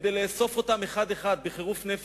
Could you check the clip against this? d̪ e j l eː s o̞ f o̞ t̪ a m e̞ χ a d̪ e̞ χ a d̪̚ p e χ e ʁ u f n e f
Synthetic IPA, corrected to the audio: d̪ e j l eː s o̞ f o̞ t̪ a m e̞ χ a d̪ e̞ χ a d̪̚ b e χ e ʁ u f n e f